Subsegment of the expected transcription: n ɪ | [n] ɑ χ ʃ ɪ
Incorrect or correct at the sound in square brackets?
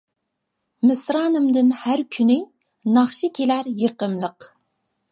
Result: correct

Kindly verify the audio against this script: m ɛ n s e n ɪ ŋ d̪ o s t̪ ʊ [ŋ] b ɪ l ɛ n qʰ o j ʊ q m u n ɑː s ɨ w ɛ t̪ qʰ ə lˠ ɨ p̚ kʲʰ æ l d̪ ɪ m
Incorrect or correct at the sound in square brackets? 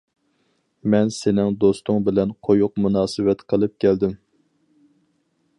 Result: correct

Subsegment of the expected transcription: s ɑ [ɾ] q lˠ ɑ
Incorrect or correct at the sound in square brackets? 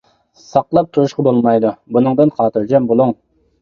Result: incorrect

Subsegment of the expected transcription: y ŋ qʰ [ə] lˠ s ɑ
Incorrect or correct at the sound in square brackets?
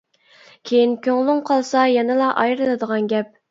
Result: incorrect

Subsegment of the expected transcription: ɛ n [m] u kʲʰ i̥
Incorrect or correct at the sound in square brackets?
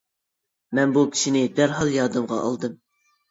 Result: incorrect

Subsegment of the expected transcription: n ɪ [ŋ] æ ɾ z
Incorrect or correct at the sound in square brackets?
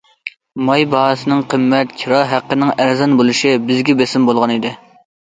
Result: correct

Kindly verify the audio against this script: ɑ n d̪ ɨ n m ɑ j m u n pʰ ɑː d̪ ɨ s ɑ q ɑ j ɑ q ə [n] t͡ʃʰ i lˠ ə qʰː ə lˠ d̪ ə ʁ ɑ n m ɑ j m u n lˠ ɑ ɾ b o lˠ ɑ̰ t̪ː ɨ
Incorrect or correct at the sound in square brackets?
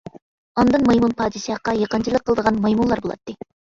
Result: correct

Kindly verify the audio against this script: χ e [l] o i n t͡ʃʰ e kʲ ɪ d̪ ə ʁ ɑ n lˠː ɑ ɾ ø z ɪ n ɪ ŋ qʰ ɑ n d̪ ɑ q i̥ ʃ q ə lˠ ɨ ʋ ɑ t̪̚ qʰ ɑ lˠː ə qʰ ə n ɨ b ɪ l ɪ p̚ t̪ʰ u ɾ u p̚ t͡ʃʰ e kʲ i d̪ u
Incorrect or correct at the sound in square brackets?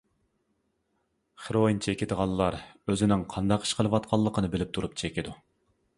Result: incorrect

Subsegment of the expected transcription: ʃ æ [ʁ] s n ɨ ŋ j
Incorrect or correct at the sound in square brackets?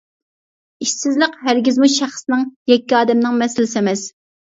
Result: incorrect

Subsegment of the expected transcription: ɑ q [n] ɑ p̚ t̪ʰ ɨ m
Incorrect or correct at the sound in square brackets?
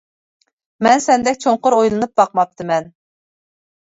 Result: incorrect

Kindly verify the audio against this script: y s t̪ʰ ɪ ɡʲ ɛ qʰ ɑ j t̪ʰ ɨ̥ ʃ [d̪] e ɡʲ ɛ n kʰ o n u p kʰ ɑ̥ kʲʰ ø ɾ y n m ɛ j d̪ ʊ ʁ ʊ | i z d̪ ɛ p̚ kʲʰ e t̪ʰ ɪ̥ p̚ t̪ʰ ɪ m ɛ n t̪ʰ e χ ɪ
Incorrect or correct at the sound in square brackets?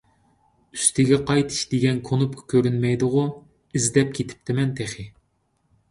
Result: correct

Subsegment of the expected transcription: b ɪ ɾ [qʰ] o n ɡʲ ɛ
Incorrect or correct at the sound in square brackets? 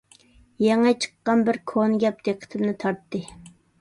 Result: incorrect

